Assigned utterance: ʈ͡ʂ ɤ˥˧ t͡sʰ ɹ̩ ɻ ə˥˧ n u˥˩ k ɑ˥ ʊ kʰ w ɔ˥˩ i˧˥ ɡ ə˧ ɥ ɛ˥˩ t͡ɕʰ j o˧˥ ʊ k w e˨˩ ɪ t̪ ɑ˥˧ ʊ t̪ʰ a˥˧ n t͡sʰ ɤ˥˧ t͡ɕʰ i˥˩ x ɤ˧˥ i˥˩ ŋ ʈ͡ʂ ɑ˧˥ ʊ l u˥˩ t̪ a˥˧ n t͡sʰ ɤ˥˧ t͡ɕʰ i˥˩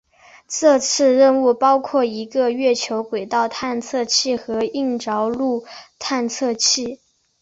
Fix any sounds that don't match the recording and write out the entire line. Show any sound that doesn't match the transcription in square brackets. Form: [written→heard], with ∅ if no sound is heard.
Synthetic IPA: ʈ͡ʂ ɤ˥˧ t͡sʰ ɹ̩ ɻ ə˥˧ n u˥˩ [k→p] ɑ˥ ʊ kʰ w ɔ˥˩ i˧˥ ɡ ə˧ ɥ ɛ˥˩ t͡ɕʰ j o˧˥ ʊ k w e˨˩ ɪ t̪ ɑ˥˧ ʊ t̪ʰ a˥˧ n t͡sʰ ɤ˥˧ t͡ɕʰ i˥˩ x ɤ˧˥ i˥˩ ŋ ʈ͡ʂ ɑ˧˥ ʊ l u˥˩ [t̪→t̪ʰ] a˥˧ n t͡sʰ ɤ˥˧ t͡ɕʰ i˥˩